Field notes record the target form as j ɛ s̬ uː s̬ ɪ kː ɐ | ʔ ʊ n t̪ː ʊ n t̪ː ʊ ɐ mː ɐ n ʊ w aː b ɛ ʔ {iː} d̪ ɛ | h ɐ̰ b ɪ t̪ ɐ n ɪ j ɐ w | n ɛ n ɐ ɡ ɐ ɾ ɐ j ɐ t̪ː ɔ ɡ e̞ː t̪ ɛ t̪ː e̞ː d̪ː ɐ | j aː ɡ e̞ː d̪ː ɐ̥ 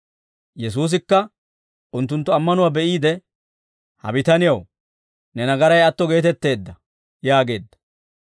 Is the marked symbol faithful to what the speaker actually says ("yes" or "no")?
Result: yes